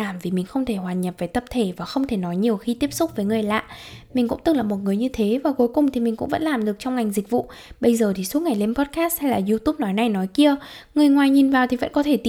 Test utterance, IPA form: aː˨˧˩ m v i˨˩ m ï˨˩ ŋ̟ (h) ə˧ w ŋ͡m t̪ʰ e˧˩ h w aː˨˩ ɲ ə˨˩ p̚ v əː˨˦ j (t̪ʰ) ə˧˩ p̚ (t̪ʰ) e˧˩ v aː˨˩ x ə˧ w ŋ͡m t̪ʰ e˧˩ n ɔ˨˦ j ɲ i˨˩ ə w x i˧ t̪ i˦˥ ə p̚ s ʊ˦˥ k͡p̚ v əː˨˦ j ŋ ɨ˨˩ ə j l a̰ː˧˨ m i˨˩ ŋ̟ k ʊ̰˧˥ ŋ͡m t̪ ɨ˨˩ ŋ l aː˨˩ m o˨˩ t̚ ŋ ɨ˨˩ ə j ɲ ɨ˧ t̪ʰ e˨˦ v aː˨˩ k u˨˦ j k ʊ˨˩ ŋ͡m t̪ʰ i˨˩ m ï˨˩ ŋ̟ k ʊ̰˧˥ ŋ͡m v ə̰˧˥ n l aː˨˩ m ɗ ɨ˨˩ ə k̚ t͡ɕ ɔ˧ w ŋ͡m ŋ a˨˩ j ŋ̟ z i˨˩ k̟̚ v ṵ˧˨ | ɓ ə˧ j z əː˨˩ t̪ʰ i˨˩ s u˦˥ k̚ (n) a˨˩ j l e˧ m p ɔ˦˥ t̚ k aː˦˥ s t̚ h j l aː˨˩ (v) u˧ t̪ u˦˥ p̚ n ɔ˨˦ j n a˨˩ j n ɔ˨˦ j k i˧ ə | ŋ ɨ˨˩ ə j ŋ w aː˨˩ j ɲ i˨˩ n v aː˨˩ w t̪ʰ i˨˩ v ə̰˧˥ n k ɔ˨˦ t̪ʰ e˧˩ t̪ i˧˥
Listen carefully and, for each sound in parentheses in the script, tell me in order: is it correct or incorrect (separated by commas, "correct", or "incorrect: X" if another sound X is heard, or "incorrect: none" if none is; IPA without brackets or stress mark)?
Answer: incorrect: x, incorrect: t̪, correct, incorrect: ŋ, incorrect: z